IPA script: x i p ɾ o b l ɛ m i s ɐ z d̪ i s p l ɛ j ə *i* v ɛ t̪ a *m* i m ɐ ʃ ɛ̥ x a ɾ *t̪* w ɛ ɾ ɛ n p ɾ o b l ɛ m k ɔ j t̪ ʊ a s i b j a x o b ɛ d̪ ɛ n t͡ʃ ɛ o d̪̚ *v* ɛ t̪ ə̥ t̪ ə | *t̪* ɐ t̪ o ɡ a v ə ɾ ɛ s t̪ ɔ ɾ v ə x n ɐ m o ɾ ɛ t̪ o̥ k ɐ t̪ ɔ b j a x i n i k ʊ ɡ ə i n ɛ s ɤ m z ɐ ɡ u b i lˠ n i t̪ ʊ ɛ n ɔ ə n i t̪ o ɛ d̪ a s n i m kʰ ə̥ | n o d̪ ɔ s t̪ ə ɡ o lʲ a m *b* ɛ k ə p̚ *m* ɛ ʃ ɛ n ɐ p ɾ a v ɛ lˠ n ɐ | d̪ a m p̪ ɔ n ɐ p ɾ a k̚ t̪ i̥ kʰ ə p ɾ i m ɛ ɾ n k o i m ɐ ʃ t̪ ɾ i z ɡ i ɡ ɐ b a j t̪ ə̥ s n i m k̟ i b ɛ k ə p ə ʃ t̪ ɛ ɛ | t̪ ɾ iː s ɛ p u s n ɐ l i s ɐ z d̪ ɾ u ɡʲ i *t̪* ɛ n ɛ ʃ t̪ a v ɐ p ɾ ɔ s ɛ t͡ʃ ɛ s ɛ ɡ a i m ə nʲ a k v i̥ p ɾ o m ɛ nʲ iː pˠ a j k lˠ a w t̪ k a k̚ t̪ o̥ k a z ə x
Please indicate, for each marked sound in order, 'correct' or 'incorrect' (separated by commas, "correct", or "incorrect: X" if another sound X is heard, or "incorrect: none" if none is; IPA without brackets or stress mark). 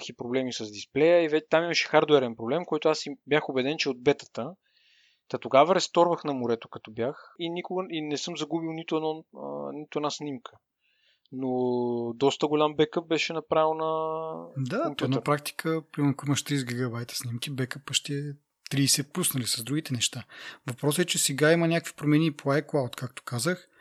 correct, correct, incorrect: d̪, incorrect: b, correct, correct, incorrect: b, correct